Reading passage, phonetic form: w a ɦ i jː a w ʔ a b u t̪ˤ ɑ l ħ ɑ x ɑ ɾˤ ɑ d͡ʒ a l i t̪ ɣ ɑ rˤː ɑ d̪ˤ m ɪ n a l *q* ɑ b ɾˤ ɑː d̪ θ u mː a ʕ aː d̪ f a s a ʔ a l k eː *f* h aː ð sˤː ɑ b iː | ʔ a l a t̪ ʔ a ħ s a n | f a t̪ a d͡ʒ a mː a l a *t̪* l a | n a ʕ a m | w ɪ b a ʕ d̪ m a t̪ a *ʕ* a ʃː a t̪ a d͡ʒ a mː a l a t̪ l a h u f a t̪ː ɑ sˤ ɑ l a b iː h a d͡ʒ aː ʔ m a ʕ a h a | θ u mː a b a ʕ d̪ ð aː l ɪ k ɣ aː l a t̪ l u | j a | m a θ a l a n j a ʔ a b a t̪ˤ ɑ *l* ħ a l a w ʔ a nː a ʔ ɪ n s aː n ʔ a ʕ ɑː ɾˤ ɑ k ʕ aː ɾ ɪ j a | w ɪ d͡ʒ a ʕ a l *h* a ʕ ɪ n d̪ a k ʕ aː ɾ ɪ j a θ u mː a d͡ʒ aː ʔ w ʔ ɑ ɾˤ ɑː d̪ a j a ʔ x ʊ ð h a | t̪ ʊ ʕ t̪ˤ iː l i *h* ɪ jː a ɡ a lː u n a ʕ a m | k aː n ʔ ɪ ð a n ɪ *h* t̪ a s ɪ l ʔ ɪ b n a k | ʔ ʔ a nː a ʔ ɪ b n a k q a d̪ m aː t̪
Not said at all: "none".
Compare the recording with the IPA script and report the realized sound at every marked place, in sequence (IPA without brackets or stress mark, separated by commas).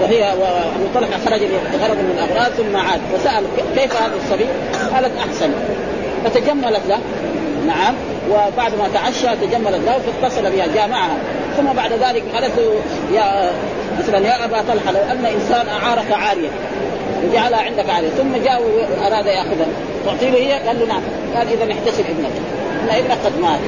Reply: ʔ, f, t̪, ʕ, l, h, h, ħ